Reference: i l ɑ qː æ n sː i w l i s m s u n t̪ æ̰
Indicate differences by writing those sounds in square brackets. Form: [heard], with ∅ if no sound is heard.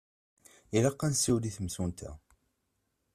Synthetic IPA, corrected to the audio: i l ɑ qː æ n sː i w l i [θ] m s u n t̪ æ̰